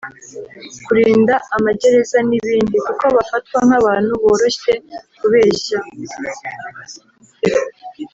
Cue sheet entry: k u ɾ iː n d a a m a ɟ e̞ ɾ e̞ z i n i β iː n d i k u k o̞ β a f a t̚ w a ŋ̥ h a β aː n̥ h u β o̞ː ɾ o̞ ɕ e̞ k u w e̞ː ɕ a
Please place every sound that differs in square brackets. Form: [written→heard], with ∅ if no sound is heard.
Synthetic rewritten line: k u ɾ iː n d a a m a ɟ e̞ ɾ e̞ z [i→a] n i β iː n d i k u k o̞ β a f a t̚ w a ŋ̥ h a β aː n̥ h u β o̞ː ɾ o̞ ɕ e̞ k u [w→β] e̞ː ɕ a